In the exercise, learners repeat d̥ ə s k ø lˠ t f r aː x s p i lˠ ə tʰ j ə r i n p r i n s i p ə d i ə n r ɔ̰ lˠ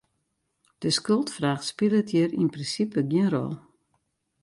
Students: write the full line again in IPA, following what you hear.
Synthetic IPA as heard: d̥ ə s k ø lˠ t f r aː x s p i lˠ ə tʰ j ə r i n p r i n s i p ə ɡ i ə n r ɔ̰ lˠ